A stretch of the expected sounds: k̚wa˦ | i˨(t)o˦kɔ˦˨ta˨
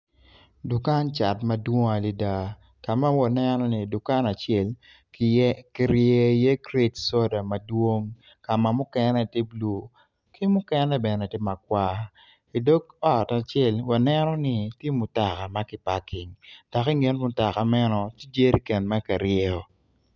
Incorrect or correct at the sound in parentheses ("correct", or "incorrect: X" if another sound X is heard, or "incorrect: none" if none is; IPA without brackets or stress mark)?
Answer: incorrect: d